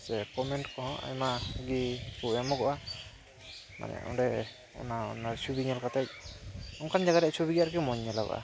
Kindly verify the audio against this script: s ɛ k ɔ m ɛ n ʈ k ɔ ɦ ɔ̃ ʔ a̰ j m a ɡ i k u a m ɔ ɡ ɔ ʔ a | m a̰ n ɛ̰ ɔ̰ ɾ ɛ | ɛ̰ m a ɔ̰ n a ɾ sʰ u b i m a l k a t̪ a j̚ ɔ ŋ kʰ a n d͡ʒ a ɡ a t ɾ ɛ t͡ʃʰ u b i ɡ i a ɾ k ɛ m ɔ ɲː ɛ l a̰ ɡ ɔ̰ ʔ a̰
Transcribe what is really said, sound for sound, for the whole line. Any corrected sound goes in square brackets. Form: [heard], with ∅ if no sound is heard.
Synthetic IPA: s ɛ k ɔ m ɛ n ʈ k ɔ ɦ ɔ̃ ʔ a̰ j m a ɡ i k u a m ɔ ɡ ɔ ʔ a | m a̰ n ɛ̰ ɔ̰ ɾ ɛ | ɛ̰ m a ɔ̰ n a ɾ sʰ u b i [ɲ] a l k a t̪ a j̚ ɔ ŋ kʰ a n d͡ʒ a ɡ a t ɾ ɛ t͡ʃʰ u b i ɡ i a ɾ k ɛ m ɔ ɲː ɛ l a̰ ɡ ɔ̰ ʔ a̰